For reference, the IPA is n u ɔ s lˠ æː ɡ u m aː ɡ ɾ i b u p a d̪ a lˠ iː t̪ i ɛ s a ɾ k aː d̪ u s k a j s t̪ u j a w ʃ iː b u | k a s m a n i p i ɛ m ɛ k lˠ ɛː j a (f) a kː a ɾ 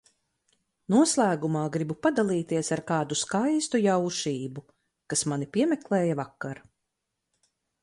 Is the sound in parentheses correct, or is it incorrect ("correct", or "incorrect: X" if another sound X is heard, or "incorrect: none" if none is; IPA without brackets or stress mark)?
incorrect: v